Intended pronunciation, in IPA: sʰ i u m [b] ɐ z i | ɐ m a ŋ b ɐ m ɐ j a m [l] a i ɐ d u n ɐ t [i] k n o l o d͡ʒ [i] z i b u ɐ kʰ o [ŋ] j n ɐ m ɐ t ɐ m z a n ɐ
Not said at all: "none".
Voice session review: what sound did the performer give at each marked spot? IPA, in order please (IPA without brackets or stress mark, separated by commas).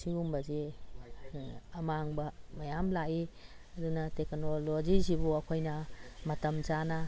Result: b, l, e, i, none